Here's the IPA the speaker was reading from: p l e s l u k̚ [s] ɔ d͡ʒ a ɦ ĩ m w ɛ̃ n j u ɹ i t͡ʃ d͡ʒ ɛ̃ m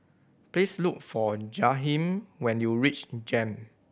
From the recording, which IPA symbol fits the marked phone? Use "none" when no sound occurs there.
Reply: f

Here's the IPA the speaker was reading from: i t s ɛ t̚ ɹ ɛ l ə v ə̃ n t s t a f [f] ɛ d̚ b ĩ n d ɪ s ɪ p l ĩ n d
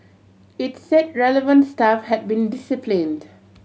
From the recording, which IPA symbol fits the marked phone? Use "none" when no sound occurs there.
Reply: h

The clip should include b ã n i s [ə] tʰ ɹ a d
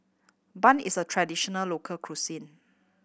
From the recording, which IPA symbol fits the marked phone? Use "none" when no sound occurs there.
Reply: ə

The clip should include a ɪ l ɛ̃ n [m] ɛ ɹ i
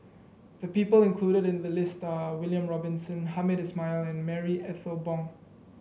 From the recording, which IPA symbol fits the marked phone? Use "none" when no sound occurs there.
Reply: m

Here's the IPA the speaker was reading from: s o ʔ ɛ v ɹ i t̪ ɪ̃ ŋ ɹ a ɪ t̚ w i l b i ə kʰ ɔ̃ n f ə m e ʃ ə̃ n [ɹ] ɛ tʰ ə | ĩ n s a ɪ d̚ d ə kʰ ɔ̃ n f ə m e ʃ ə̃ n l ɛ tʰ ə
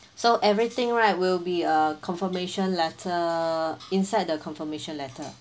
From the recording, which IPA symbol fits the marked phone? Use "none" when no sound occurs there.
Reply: l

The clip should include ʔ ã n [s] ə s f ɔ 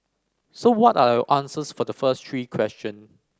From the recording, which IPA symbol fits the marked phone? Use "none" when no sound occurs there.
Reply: s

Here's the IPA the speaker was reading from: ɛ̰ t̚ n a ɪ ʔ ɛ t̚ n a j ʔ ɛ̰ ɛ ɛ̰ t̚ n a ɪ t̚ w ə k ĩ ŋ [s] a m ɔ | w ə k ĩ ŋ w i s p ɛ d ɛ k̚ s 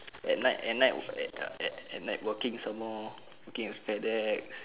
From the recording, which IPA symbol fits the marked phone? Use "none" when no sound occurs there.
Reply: s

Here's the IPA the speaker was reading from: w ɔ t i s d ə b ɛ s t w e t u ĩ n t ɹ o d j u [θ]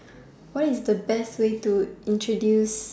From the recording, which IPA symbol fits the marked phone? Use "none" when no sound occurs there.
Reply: s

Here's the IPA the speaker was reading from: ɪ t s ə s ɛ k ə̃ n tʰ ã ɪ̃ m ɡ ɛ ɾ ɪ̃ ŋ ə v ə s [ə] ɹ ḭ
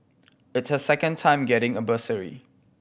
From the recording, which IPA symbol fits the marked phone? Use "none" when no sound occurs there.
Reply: ə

